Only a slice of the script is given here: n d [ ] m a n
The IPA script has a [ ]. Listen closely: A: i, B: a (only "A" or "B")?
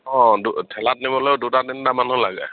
B